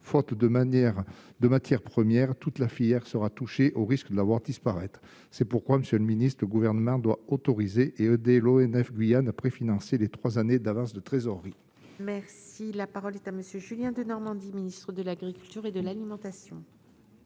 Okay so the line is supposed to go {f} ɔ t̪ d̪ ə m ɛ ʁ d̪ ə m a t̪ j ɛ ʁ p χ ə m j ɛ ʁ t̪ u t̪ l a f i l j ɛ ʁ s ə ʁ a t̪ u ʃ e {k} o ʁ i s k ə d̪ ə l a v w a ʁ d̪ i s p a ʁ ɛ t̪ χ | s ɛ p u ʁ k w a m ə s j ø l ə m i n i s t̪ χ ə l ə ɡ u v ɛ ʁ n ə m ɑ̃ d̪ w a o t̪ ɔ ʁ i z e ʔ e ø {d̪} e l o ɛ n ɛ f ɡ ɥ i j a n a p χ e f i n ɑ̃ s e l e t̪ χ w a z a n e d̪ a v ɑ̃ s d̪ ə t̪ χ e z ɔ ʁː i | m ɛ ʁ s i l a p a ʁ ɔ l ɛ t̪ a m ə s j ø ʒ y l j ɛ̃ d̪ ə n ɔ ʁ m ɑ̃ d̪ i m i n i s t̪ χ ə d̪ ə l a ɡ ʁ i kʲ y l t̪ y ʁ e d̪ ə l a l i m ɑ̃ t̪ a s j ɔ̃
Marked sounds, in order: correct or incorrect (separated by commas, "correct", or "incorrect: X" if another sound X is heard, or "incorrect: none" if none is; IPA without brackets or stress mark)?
correct, incorrect: ʔ, correct